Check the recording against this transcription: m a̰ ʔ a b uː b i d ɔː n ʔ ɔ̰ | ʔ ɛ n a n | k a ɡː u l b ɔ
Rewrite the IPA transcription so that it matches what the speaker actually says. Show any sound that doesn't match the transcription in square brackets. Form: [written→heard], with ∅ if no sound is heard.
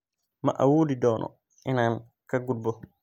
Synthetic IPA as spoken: m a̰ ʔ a [b→w] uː [b→d] i d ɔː n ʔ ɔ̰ | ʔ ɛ n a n | k a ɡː u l b ɔ